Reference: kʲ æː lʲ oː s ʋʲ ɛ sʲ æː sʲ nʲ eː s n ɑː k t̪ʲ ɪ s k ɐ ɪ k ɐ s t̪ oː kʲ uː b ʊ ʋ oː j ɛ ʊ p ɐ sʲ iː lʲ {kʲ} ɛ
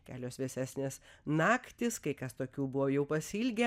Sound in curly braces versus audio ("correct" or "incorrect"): incorrect